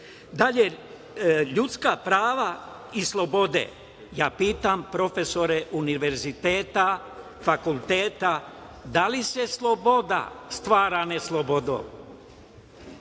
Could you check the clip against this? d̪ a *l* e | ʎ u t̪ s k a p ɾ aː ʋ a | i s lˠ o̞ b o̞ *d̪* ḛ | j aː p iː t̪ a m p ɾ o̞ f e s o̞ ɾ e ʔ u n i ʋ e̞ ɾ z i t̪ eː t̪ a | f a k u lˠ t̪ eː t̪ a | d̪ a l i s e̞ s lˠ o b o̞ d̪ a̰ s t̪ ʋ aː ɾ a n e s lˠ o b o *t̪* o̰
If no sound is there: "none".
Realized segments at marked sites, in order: ʎ, d̪, d̪

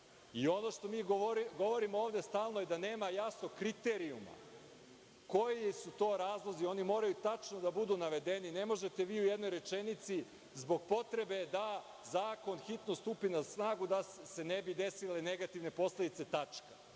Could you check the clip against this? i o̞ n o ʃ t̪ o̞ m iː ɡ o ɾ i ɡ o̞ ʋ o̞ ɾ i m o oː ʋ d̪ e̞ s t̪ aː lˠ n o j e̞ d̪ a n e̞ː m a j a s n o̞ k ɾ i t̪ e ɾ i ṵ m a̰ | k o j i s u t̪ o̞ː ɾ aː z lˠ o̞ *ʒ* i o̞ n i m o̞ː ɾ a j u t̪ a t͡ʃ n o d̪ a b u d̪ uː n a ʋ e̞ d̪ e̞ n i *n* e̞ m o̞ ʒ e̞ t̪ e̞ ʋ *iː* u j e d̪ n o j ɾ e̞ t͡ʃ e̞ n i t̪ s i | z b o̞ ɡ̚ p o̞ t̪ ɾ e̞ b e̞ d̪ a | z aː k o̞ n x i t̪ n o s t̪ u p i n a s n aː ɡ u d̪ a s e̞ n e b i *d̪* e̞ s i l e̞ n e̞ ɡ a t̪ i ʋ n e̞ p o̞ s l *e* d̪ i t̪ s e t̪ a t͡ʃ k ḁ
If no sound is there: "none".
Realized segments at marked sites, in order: z, n, iː, d̪, e

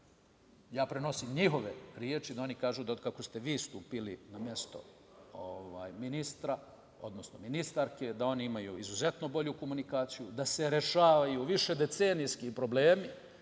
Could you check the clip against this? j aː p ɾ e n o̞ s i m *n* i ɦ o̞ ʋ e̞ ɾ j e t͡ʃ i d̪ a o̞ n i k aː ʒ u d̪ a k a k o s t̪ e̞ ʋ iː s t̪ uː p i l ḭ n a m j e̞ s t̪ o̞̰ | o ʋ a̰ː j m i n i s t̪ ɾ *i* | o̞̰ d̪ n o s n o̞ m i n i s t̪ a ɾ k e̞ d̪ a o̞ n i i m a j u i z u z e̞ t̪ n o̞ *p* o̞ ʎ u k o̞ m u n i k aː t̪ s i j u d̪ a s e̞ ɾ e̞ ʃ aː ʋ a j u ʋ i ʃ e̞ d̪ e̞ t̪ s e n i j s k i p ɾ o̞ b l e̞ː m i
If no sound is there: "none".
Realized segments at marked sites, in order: ɲ, a, b

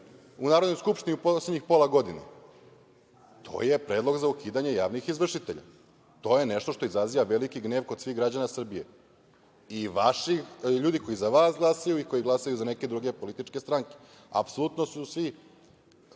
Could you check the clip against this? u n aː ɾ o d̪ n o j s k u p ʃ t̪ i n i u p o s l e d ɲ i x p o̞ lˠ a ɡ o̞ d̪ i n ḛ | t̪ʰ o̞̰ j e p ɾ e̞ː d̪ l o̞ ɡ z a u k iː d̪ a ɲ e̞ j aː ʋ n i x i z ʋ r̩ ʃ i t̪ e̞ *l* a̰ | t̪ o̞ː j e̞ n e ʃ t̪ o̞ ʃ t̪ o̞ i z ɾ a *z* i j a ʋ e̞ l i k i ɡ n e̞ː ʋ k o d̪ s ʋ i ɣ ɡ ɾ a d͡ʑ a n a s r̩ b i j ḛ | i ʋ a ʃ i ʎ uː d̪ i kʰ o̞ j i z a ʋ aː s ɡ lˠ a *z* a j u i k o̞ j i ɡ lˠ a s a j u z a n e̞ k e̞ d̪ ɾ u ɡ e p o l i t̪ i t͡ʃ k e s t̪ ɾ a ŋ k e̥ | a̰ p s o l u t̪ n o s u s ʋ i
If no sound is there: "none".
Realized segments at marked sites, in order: ʎ, z, s

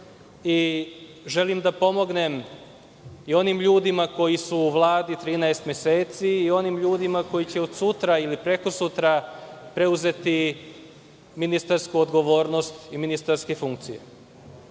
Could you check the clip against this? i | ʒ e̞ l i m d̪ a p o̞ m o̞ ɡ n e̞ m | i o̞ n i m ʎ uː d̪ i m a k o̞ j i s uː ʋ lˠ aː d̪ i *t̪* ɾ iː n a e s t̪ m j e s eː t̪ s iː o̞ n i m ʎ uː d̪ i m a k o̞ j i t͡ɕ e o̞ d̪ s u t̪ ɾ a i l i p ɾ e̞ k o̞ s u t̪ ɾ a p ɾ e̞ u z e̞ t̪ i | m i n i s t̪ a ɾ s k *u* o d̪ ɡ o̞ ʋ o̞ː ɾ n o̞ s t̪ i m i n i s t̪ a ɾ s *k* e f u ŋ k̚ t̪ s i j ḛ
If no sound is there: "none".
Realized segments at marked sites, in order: t̪, u, k

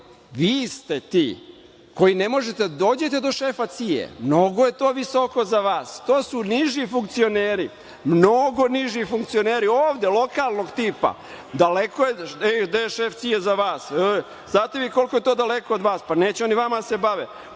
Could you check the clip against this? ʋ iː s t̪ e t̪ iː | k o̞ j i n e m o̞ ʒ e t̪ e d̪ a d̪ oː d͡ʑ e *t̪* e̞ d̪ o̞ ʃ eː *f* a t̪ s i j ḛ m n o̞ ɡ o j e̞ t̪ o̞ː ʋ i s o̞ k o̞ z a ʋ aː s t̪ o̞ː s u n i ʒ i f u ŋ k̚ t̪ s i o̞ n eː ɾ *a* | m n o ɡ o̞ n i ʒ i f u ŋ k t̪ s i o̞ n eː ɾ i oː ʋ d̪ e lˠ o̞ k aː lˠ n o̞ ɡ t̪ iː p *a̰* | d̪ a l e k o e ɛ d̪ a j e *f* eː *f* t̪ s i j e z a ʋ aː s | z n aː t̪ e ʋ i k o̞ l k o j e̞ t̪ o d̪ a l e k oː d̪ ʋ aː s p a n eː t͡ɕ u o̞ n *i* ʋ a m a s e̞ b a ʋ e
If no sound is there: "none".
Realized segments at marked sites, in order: t̪, f, i, a̰, ʃ, f, i

